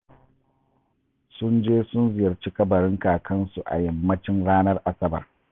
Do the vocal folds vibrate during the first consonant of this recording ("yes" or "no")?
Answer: no